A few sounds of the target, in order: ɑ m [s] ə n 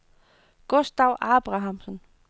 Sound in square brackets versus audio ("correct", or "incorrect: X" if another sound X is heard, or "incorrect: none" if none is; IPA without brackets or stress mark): correct